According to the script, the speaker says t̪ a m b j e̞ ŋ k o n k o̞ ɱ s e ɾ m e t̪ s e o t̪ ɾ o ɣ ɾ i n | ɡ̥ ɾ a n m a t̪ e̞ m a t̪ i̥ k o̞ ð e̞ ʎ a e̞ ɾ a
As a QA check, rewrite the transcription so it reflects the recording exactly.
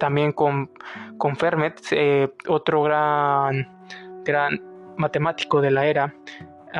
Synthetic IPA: t̪ a m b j e̞ ŋ k o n k o̞ ɱ f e ɾ m e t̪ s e o t̪ ɾ o ɣ ɾ a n | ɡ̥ ɾ a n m a t̪ e̞ m a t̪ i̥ k o̞ ð e̞ l a e̞ ɾ a